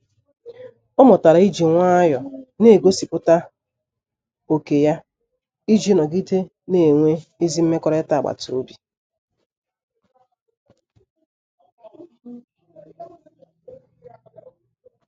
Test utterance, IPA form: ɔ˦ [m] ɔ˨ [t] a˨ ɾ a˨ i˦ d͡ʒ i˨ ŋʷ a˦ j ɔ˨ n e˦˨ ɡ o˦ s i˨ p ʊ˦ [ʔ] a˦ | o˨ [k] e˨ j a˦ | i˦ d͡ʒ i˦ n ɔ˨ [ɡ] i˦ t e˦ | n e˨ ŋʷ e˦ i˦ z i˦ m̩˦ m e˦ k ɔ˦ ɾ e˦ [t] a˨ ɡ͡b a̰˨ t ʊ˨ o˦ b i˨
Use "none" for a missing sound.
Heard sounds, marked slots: m, t, t, k, ɡ, t

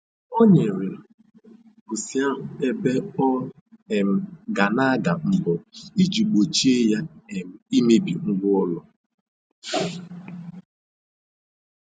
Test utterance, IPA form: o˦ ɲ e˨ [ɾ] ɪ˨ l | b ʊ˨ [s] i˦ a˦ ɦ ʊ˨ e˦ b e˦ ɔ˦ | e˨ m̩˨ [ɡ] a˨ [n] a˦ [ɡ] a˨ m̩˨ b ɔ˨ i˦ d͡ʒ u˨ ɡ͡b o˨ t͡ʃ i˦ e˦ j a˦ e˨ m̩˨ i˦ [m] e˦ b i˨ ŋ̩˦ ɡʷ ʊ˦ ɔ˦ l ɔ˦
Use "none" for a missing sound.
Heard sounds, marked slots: ɾ, s, ɡ, n, ɡ, m

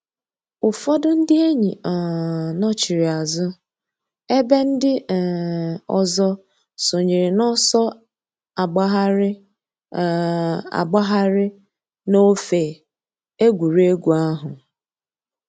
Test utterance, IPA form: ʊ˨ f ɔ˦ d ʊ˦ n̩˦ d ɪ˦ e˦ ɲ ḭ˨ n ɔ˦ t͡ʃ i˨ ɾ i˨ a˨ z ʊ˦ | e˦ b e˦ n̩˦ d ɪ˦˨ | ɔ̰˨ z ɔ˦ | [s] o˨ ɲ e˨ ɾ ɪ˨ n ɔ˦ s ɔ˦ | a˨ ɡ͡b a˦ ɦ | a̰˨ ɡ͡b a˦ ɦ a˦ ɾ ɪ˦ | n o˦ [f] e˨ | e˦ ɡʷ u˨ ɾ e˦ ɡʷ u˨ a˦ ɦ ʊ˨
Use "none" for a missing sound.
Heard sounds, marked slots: s, f

